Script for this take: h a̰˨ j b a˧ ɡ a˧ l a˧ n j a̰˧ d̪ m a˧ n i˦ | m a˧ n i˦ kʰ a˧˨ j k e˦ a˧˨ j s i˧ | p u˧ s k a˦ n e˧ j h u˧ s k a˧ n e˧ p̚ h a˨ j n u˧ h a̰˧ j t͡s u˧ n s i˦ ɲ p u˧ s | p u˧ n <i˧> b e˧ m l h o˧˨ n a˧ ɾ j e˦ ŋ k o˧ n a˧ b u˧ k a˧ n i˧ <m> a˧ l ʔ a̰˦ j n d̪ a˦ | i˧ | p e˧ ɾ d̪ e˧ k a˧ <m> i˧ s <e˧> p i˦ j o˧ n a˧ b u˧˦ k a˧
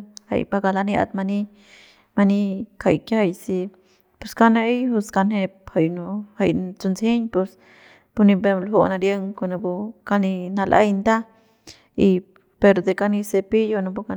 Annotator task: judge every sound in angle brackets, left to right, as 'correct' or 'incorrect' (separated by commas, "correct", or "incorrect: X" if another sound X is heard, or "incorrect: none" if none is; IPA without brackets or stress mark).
correct, incorrect: n, incorrect: n, correct